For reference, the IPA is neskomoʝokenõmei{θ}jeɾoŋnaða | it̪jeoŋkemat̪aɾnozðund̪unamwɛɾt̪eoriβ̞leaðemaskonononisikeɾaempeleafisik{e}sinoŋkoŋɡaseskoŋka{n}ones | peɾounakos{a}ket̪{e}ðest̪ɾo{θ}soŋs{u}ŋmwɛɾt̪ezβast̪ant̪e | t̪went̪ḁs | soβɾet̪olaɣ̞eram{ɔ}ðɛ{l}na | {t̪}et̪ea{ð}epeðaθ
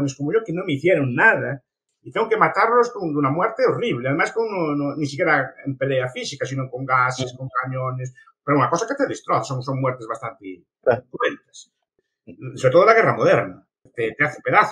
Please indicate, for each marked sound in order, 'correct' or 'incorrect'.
correct, incorrect: a, incorrect: ɲ, correct, correct, correct, incorrect: o, incorrect: o, incorrect: ɾ, correct, incorrect: θ

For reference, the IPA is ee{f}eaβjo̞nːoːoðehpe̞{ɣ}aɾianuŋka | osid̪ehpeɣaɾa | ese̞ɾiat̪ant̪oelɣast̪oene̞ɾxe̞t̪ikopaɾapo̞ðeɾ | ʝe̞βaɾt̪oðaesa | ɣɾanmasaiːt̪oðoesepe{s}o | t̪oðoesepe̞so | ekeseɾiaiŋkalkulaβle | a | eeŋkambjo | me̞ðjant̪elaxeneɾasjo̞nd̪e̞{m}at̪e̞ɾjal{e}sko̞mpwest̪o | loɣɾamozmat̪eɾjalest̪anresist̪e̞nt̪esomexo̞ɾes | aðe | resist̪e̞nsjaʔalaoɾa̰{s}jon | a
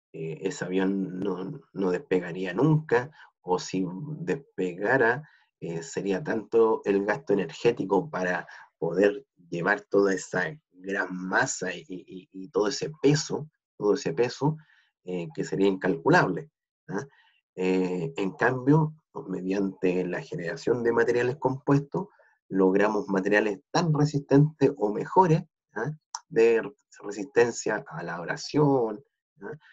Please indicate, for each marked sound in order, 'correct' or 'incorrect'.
incorrect: s, correct, correct, correct, correct, correct

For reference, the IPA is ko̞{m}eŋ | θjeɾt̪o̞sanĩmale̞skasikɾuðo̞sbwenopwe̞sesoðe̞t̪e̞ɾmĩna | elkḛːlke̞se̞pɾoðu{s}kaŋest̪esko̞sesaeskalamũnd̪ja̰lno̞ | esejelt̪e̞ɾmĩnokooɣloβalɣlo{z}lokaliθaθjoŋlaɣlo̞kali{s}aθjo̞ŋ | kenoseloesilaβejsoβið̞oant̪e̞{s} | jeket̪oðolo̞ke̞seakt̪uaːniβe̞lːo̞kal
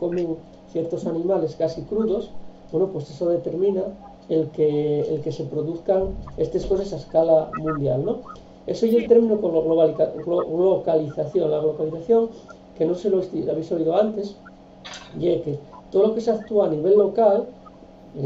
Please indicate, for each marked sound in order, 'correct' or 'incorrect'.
correct, incorrect: θ, incorrect: ɣ, incorrect: θ, correct

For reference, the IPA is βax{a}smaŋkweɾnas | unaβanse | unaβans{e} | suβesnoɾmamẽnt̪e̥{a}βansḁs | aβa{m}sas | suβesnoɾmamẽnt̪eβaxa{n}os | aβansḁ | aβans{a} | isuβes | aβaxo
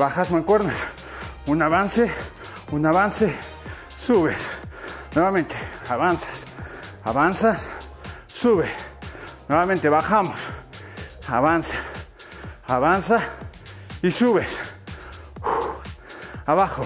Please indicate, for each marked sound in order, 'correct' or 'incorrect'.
correct, correct, correct, incorrect: n, incorrect: m, correct

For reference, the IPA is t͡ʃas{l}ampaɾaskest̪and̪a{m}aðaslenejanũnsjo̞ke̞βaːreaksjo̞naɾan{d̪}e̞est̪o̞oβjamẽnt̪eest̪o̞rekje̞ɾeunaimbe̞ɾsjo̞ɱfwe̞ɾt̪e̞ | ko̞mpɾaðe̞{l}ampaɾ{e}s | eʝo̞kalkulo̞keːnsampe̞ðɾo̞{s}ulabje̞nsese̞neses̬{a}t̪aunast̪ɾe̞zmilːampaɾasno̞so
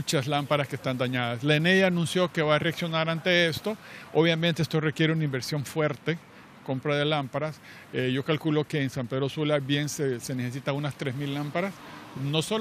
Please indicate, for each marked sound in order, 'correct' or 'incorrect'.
correct, incorrect: ɲ, incorrect: t̪, correct, incorrect: a, correct, incorrect: i

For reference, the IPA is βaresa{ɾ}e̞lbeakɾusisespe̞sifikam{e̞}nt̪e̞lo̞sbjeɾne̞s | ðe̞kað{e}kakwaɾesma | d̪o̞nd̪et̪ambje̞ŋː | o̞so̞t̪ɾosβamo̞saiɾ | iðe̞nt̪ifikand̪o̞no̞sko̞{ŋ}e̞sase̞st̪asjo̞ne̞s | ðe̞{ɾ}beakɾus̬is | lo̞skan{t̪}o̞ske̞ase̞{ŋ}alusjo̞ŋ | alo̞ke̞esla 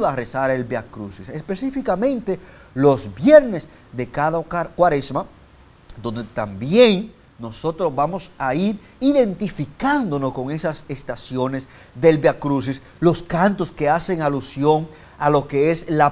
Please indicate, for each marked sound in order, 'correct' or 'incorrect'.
correct, incorrect: ẽ̞, incorrect: a, correct, incorrect: l, correct, correct

